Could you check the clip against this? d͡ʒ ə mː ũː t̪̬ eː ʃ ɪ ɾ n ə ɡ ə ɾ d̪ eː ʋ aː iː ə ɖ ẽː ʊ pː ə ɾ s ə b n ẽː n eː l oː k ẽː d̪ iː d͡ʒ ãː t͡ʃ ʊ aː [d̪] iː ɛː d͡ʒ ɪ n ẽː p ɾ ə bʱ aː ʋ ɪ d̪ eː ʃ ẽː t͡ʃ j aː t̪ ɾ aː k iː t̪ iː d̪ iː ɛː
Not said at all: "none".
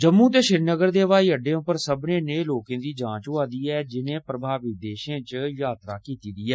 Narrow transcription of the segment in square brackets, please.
d̪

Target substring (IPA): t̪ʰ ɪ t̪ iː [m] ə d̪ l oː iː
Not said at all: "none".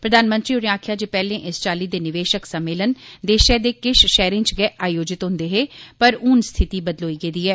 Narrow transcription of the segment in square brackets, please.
b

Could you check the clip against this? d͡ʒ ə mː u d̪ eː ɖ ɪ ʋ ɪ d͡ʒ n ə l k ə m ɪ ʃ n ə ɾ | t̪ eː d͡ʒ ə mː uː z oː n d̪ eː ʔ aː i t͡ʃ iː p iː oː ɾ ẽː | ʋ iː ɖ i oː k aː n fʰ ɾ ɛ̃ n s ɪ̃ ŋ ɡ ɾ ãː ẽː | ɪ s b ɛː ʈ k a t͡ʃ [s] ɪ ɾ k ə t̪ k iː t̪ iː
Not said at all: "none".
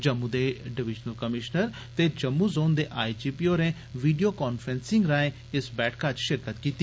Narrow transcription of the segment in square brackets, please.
ʃ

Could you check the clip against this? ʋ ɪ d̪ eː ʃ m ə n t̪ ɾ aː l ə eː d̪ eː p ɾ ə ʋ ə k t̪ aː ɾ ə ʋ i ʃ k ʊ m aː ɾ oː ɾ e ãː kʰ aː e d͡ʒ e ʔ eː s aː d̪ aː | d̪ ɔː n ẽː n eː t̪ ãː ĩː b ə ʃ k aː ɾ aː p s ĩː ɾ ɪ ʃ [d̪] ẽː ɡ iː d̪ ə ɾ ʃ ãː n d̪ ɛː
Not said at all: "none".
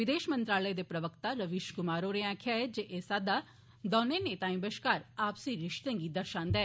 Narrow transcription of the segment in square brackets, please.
t̪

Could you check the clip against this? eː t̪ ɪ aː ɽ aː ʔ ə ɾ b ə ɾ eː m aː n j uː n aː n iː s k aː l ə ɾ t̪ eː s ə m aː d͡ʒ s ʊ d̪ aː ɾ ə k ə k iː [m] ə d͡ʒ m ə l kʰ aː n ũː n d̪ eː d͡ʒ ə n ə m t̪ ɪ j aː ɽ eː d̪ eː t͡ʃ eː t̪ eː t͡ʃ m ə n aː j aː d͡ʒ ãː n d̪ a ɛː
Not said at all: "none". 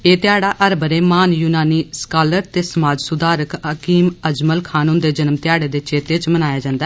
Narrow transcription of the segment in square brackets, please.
m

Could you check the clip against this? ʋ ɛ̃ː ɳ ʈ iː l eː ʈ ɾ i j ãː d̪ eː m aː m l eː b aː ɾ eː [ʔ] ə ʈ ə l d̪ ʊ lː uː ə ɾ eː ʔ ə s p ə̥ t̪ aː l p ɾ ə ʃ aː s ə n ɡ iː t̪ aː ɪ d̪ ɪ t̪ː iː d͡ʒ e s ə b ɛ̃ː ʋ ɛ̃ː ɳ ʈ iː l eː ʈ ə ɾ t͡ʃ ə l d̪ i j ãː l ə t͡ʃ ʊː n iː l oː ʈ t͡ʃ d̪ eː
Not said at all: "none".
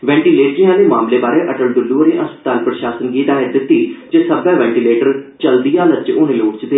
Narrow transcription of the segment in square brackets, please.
ʔ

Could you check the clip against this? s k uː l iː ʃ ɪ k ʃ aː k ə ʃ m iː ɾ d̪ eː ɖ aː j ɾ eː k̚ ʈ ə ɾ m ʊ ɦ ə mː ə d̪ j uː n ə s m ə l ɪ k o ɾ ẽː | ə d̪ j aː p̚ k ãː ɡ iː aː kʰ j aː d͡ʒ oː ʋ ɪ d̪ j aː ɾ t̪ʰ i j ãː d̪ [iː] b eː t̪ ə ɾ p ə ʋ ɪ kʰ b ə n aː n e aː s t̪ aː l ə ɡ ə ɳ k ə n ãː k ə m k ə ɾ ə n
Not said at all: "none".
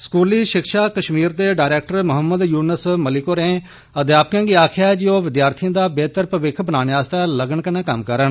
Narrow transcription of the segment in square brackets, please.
aː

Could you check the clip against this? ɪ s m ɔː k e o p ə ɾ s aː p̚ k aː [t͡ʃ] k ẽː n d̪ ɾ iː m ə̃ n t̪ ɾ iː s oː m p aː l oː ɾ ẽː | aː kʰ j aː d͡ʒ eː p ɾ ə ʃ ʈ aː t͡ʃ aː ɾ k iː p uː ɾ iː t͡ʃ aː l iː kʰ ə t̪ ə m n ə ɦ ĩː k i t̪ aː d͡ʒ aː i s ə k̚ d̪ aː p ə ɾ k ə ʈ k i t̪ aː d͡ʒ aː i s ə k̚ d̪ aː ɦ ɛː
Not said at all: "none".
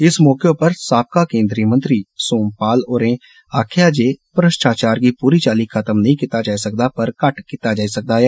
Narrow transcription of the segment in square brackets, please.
none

